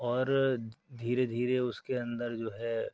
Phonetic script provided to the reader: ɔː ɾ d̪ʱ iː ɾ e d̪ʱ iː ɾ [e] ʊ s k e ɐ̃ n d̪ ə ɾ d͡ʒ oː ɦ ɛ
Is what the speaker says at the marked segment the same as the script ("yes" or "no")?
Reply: yes